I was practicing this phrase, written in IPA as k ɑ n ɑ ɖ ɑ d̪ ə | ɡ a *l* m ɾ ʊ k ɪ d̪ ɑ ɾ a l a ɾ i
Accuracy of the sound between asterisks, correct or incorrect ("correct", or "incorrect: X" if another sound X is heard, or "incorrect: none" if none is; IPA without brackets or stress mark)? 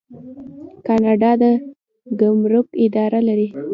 incorrect: none